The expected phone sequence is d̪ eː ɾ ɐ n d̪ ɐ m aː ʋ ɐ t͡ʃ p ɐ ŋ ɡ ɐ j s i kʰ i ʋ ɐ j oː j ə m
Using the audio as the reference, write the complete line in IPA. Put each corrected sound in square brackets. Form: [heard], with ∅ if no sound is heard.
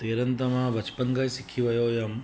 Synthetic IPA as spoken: [t̪] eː ɾ ɐ n [t̪] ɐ m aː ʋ ɐ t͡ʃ p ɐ ŋ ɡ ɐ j s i kʰ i ʋ ɐ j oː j [ɐ] m